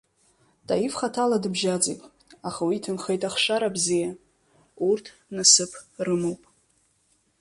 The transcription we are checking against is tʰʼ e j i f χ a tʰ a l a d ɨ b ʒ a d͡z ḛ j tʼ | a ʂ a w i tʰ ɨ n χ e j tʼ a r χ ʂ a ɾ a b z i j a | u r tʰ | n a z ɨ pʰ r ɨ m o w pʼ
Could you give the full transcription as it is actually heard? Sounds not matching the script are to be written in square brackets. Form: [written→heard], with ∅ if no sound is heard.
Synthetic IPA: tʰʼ [e→a] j i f χ a tʰ a l a d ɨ b ʒ a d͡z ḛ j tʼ | a [ʂ→χ] a w i tʰ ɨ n χ e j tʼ a [r→∅] χ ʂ a ɾ a b z i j a | u r tʰ | n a [z→s] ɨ pʰ r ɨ m o w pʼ